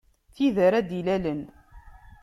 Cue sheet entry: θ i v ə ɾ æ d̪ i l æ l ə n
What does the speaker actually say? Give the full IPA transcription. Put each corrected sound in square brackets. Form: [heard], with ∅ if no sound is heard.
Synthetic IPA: θ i [ð] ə ɾ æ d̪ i l æ l ə n

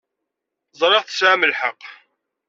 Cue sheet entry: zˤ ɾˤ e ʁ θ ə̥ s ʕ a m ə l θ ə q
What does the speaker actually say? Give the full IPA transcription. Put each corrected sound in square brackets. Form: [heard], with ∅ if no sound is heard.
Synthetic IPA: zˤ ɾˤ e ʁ θ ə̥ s ʕ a m ə l [ħ] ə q

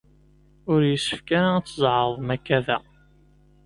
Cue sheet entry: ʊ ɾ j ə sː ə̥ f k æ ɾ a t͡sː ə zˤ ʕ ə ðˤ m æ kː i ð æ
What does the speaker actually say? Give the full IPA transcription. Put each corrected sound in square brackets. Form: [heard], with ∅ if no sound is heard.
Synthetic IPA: ʊ ɾ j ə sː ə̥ f k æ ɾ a t͡sː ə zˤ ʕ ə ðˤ m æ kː [æ] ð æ

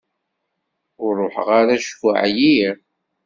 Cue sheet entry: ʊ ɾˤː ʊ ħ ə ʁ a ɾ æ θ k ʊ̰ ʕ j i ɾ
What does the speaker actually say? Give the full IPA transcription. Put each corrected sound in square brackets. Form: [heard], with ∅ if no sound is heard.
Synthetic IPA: ʊ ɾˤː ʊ ħ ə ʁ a ɾ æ [ʃ] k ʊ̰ ʕ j i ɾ

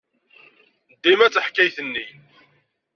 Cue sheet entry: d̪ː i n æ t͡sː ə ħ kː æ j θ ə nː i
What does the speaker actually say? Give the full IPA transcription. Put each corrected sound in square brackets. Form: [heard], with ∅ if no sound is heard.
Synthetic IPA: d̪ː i [m] æ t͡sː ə ħ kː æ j θ ə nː i

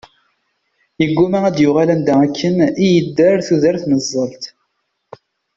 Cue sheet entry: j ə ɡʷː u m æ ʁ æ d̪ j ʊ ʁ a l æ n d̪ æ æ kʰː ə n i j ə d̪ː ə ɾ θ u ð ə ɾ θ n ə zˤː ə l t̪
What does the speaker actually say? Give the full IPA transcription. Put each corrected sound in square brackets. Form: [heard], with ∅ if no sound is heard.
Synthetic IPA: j ə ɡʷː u m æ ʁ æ d̪ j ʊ ʁ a l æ n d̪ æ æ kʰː ə n i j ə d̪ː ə ɾ θ u ð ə ɾ θ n ə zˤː ə l t̪

